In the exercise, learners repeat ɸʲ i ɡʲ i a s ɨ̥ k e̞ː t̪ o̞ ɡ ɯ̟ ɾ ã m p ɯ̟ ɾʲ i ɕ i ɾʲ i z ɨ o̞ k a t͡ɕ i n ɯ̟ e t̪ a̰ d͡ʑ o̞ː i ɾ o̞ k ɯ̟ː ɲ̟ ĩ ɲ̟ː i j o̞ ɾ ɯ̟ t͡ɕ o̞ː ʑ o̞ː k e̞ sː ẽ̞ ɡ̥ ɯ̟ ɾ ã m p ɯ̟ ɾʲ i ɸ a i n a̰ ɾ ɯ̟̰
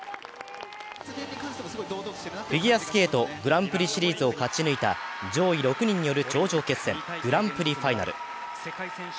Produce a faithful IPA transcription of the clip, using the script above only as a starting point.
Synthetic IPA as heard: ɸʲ i ɡʲ i a s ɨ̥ k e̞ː t̪ o̞ ɡ ɯ̟ ɾ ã m p ɯ̟ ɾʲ i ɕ i ɾʲ iː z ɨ o̞ k a t͡ɕ i n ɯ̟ i t̪ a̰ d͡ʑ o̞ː i ɾ o̞ k ɯ̟ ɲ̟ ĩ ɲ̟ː i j o̞ ɾ ɯ̟ t͡ɕ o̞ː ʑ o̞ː k e̞ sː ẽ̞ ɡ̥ ɯ̟ ɾ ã m p ɯ̟ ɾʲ i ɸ a i n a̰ ɾ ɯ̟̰